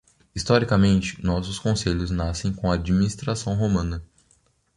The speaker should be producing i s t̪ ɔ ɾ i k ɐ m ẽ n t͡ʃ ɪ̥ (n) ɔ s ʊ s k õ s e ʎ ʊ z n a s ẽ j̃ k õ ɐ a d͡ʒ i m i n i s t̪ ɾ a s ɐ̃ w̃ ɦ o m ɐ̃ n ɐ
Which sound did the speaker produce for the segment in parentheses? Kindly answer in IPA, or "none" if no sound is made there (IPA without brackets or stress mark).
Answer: n